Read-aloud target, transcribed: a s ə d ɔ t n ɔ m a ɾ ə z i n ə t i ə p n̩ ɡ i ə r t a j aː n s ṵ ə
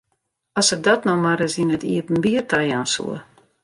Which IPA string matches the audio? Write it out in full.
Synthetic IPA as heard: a s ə d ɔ t n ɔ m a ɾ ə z i n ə t i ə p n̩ b i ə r t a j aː n s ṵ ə